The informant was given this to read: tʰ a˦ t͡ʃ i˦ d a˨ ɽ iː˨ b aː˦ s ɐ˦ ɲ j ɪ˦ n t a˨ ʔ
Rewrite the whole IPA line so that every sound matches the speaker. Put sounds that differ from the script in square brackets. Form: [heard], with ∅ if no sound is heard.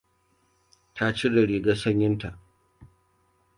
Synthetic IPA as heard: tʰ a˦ t͡ʃ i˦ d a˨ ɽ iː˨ [ɡ] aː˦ s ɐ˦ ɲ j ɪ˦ n t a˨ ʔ